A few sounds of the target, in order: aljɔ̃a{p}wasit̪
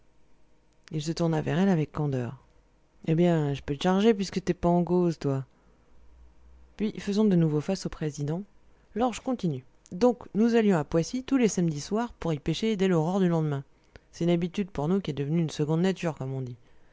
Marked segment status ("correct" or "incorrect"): correct